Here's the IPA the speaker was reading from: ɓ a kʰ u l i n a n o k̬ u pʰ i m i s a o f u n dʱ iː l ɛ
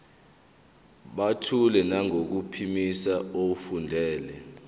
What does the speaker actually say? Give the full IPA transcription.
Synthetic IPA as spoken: ɓ a tʰ u l ɛ n a ŋ o k̬ u pʰ i m i s a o f u n dʱ ɛː l ɛ